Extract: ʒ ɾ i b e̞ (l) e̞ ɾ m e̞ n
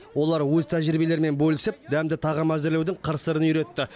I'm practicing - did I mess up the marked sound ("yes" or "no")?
no